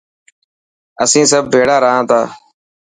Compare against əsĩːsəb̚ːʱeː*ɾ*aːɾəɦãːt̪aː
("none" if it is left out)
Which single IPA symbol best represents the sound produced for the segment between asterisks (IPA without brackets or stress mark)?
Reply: ɽ